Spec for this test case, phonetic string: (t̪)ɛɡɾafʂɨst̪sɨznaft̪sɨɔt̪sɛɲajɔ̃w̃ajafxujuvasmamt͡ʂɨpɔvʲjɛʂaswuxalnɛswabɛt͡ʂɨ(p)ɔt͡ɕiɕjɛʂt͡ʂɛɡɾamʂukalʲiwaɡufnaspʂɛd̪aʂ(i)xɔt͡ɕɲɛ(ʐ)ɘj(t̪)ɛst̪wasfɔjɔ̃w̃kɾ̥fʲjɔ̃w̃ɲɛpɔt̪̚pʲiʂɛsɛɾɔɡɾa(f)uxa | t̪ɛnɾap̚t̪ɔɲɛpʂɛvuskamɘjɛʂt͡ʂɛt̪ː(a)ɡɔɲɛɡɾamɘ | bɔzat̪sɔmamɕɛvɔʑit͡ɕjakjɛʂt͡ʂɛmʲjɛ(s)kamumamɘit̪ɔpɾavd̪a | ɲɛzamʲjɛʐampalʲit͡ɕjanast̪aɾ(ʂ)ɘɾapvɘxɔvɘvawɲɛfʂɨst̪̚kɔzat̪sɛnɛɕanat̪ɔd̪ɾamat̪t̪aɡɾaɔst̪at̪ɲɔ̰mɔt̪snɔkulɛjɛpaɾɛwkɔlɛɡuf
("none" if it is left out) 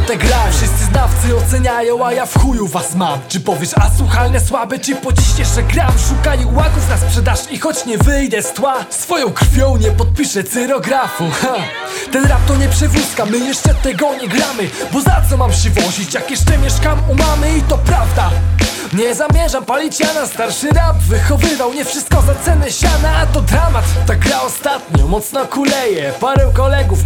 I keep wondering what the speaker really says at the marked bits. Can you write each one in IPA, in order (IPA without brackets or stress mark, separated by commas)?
t̪, p, i, v, d̪, f, ɛ, ʂ, ʂ